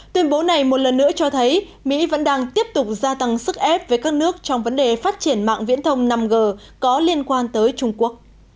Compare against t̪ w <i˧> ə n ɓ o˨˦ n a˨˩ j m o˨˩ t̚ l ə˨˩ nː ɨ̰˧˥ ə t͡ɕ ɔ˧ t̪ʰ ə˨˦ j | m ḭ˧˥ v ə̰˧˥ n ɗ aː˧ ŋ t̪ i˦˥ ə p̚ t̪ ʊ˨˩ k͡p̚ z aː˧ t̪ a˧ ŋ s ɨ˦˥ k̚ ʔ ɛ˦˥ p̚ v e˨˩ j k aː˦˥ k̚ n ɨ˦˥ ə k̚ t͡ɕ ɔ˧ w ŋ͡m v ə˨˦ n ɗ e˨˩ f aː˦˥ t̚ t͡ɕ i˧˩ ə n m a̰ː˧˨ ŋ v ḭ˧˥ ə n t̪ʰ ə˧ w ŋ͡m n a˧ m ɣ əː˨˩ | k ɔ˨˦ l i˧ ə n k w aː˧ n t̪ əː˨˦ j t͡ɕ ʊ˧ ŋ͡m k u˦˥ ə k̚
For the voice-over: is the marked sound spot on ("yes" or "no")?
yes